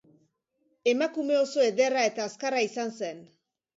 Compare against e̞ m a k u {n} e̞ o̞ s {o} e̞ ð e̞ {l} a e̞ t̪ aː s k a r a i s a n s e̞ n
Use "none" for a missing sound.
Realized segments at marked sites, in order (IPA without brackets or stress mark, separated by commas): m, o, r